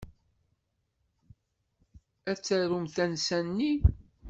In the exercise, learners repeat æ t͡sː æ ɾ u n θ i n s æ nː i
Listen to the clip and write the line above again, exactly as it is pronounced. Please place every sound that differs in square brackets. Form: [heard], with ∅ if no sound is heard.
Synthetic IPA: æ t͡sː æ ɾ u [m] θ [æ] n s æ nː i